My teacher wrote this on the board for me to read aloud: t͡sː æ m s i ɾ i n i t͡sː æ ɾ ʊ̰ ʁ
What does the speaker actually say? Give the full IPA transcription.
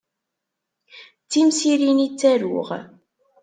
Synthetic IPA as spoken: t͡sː i m s i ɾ i n i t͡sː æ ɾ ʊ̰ ʁ